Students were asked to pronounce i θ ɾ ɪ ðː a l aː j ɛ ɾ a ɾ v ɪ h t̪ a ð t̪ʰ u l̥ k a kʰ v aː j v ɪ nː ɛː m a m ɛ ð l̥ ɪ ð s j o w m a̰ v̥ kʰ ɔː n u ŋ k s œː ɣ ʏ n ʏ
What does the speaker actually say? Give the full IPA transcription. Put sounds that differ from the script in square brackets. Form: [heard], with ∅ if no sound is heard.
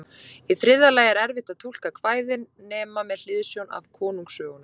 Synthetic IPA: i θ ɾ ɪ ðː a l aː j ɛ ɾ [ɛ] ɾ v ɪ h t̪ a ð t̪ʰ u l̥ k a kʰ v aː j [ð] ɪ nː ɛː m a m ɛ ð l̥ ɪ ð s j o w [n] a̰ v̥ kʰ ɔː n u ŋ k s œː ɣ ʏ n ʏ